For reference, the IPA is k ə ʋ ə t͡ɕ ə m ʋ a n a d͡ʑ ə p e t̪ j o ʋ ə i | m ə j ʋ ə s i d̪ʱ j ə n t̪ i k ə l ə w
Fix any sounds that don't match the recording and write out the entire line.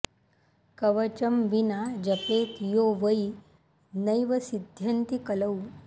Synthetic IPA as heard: k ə ʋ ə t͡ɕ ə m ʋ i n a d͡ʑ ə p e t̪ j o ʋ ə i | n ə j ʋ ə s i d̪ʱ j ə n t̪ i k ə l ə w